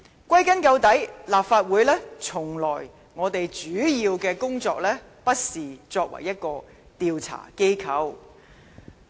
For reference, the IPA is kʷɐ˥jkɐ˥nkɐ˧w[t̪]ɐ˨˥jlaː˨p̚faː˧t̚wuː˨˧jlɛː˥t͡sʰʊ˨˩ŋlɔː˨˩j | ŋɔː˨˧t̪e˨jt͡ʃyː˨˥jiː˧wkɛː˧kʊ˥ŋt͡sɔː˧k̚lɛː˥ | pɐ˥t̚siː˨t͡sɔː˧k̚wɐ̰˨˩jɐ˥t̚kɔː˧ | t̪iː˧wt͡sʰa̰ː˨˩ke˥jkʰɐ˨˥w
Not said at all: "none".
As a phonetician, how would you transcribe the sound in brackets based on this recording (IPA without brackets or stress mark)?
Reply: t̪